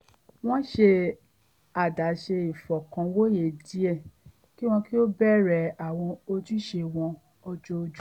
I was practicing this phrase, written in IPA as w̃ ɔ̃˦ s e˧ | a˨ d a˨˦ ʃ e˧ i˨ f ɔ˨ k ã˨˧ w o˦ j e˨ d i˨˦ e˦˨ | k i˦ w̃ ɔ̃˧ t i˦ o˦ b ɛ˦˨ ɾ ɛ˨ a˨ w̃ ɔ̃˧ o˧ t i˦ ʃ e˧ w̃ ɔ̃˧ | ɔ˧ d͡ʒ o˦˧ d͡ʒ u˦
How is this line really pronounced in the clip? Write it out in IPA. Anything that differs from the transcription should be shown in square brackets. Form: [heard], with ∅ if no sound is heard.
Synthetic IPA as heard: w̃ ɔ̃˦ [ʃ] e˧ | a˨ d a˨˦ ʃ e˧ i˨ f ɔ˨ k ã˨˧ w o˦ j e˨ d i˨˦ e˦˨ | k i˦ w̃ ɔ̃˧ [k] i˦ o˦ b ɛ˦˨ ɾ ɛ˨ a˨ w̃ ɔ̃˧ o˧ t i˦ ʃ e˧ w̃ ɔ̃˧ | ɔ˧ d͡ʒ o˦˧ d͡ʒ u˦